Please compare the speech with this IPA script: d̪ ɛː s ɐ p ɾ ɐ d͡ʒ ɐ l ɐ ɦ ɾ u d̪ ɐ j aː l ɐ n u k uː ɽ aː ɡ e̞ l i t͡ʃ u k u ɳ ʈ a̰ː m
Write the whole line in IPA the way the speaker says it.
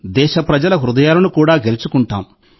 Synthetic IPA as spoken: d̪ ɛː ʃ ɐ p ɾ ɐ d͡ʒ ɐ l ɐ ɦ ɾ u d̪ ɐ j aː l ɐ n u k uː ɽ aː ɡ e̞ l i t͡ʃ u k u ɳ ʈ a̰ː m